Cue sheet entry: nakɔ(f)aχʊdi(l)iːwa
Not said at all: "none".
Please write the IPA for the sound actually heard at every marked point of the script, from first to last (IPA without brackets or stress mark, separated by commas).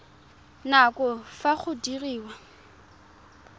f, r